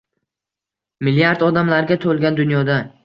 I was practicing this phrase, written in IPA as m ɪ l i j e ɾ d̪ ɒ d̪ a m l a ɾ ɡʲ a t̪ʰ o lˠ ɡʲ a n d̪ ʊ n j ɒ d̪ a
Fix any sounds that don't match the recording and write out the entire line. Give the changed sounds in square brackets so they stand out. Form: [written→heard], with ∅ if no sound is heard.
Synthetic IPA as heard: m ɪ l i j [e→a] ɾ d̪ ɒ d̪ a m l a ɾ ɡʲ a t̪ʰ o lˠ ɡʲ a n d̪ ʊ n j ɒ d̪ a